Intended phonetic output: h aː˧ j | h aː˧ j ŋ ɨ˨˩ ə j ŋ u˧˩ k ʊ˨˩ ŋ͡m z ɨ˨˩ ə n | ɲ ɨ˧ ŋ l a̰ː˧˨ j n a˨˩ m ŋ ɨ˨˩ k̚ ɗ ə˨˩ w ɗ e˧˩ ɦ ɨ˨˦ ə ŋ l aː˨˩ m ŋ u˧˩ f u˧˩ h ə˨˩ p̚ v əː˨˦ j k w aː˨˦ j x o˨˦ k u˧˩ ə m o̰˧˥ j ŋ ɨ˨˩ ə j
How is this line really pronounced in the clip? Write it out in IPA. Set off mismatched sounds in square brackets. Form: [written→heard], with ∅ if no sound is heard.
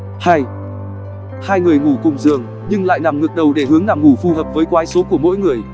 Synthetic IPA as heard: h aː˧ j | h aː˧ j ŋ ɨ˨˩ ə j ŋ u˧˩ k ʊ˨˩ ŋ͡m z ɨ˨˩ ə [n→ŋ] | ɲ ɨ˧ ŋ l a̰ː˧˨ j n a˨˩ m ŋ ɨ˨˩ k̚ ɗ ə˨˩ w ɗ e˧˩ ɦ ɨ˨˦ ə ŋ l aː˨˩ m ŋ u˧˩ f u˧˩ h [ə˨˩→əː˨˩] p̚ v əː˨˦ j k w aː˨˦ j [x→s] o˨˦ k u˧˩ ə m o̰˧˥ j ŋ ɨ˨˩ ə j